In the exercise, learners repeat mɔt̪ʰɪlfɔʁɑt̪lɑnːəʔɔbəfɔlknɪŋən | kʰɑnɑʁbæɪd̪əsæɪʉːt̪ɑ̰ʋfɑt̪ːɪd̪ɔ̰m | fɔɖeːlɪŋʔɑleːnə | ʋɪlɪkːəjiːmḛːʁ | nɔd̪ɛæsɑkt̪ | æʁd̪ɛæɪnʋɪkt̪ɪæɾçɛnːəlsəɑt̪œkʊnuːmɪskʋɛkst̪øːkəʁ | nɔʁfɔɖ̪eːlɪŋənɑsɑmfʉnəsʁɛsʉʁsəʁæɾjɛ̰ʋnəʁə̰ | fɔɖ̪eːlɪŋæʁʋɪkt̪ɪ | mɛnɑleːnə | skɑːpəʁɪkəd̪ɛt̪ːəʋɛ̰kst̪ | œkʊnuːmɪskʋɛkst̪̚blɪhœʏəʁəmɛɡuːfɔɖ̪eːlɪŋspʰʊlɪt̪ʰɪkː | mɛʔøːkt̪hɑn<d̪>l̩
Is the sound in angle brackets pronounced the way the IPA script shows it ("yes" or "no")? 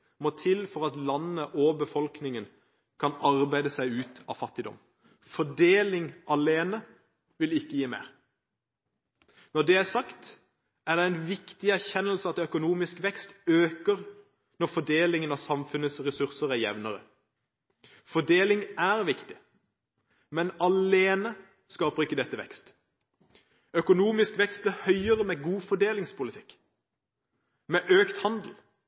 yes